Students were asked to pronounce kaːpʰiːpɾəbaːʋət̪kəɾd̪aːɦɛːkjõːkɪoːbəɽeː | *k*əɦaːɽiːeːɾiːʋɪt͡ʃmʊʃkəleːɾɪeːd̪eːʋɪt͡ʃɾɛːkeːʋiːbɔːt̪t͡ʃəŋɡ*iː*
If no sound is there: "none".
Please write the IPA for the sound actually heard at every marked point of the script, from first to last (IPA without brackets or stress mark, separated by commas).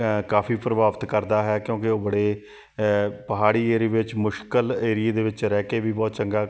p, aː